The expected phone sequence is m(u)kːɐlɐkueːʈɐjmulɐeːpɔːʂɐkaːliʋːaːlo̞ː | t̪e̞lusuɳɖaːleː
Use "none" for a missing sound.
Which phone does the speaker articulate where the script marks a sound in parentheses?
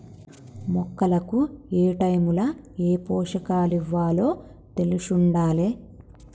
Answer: ɔ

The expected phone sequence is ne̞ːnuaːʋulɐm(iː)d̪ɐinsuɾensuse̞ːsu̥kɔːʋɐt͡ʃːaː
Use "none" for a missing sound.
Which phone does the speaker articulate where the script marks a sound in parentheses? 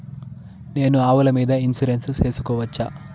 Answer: iː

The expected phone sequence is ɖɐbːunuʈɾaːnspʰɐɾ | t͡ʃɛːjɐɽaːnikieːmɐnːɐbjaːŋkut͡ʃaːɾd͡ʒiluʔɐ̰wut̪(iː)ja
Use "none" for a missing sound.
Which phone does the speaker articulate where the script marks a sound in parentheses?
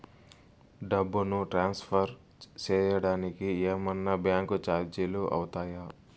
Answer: aː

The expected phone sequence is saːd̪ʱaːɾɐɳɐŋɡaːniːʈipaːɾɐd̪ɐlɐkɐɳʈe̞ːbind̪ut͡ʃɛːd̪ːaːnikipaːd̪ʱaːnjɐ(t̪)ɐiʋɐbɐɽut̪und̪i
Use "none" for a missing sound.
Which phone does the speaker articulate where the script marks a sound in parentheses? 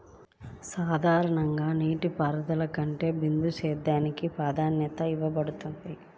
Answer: t̪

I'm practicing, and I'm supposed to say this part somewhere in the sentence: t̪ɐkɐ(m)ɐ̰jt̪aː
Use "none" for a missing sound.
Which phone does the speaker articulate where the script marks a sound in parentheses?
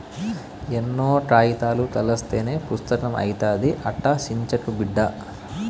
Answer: m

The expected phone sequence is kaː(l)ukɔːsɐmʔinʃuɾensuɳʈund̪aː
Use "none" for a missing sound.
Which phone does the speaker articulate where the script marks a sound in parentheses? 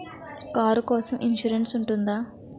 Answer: ɾ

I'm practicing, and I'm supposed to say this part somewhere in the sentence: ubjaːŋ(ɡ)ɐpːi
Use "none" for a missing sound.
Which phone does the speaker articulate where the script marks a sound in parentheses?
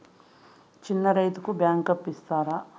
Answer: k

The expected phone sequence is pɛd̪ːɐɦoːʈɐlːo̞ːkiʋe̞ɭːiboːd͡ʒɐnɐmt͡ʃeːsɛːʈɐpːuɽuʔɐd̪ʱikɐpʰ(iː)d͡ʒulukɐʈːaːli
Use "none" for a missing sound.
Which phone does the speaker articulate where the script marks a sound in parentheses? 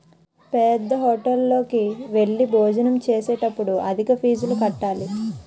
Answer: iː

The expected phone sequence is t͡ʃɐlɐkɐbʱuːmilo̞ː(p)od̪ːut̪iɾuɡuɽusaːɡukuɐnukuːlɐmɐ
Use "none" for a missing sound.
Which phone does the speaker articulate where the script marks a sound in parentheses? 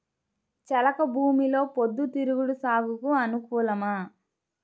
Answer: p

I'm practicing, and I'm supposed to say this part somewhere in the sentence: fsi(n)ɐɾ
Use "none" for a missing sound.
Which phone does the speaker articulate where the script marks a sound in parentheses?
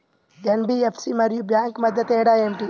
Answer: m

